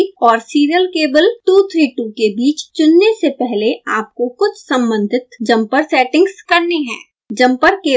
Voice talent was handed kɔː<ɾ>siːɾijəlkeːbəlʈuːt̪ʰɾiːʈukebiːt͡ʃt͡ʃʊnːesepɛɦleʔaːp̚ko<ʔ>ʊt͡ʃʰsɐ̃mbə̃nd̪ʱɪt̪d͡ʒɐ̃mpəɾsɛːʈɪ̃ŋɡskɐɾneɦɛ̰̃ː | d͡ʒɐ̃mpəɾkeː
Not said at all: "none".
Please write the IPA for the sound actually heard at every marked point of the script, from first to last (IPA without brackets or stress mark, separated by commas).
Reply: ɾ, k